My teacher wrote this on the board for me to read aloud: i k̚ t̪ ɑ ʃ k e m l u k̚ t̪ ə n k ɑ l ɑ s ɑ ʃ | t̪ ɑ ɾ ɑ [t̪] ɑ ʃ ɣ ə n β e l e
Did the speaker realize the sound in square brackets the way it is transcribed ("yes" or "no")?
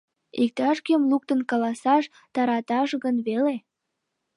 yes